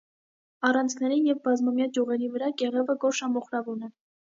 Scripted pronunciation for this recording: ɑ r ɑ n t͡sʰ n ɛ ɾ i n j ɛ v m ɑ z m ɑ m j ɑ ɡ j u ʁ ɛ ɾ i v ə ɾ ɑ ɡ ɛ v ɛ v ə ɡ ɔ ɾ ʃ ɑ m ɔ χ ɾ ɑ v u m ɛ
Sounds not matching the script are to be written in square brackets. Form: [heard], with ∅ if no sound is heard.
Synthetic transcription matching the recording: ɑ r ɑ n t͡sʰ n ɛ ɾ i n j ɛ v [b] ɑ z m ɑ m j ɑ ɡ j u ʁ ɛ ɾ i v ə ɾ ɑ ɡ ɛ [ʁ] ɛ v ə ɡ ɔ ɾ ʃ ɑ m ɔ χ ɾ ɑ v u [n] ɛ